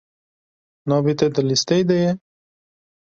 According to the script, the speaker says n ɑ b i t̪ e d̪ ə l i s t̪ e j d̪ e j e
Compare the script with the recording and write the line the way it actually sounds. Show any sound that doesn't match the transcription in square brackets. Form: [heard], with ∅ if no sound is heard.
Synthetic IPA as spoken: n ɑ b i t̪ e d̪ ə l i s t̪ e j d̪ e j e

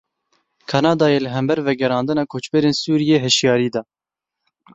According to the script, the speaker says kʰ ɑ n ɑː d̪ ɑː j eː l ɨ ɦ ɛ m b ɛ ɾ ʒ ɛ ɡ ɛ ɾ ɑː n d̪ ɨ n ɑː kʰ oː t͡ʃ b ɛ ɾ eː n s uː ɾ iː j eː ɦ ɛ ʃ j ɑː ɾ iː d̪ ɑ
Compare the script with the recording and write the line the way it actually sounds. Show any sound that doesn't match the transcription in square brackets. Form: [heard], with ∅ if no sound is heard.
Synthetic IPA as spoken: kʰ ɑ n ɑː d̪ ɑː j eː l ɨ ɦ ɛ m b ɛ ɾ [v] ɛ ɡ ɛ ɾ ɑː n d̪ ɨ n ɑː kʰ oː t͡ʃ b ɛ ɾ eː n s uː ɾ [i] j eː ɦ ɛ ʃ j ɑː ɾ iː d̪ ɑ

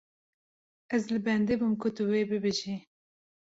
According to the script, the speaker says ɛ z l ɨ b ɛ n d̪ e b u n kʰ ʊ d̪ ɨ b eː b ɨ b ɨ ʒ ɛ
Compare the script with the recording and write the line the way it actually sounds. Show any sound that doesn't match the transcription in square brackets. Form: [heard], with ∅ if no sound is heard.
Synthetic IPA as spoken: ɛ z l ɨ b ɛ n d̪ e b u [m] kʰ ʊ [t̪] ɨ [w] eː b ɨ b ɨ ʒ [i]

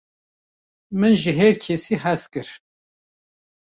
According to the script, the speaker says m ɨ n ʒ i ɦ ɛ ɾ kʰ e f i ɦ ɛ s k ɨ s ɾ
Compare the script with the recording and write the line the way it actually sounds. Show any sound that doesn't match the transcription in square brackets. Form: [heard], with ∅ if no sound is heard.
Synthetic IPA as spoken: m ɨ n ʒ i ɦ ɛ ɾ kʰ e [s] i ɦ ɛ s k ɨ [∅] ɾ

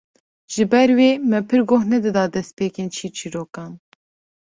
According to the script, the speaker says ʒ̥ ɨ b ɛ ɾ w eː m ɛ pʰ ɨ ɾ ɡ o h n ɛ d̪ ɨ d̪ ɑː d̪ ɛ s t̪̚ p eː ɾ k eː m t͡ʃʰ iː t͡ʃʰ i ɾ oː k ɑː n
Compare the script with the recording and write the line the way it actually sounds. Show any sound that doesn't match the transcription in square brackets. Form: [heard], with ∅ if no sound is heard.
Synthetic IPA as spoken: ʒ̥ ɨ b ɛ ɾ w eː m ɛ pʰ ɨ ɾ ɡ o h n ɛ d̪ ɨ d̪ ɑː d̪ ɛ s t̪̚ p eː [∅] k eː [n] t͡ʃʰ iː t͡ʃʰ i ɾ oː k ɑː n

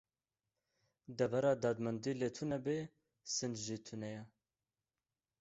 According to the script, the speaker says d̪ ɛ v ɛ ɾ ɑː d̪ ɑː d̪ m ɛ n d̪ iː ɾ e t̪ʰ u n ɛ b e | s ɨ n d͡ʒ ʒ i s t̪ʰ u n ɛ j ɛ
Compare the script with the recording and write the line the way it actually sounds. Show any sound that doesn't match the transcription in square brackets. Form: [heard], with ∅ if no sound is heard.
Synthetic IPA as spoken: d̪ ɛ v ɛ ɾ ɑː d̪ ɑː d̪ m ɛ n d̪ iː [l] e t̪ʰ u n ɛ b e | s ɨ n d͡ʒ ʒ i [∅] t̪ʰ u n ɛ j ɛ

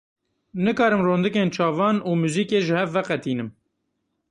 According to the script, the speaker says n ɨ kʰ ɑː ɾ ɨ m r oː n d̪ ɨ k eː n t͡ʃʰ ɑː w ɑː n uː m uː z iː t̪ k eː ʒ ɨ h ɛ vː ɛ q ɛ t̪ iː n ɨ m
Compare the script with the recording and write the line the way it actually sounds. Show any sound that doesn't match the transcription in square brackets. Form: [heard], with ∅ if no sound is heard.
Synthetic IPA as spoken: n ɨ [k] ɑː ɾ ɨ m r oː n d̪ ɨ k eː n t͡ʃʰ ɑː [v] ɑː n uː m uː z iː [∅] k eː ʒ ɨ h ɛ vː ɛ q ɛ t̪ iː n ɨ m

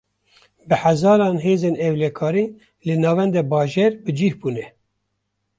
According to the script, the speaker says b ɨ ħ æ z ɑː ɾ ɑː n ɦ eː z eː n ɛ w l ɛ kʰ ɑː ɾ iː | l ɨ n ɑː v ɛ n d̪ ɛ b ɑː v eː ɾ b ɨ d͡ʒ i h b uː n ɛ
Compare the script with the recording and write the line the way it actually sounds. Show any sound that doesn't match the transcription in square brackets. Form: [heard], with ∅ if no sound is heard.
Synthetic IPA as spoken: b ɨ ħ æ z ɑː ɾ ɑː n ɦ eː z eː n ɛ w l ɛ kʰ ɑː ɾ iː | l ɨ n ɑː v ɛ n d̪ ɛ b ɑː [ʒ] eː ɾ b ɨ d͡ʒ i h b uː n ɛ

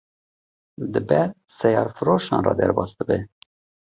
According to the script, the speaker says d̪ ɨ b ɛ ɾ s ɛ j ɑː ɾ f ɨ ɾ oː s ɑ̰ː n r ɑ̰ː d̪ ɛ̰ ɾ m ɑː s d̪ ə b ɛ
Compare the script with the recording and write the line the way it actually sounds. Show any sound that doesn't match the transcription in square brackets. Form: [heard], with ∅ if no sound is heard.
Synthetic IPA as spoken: d̪ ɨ b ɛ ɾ s ɛ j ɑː ɾ f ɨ ɾ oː [ʃ] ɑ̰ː n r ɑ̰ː d̪ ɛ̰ ɾ [b] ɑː s d̪ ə b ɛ

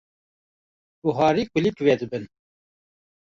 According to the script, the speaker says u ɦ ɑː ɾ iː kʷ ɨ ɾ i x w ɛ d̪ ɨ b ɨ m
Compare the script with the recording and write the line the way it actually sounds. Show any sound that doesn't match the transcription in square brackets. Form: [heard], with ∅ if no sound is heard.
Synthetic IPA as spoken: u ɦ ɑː ɾ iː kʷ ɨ [l] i [k] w ɛ d̪ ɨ b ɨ [n]

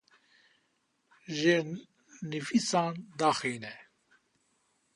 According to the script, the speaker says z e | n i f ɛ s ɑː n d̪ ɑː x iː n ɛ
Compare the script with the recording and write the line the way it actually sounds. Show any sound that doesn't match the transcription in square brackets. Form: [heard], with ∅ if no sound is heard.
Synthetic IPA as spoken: [ʒ] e | n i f [i] s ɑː n d̪ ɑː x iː n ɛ

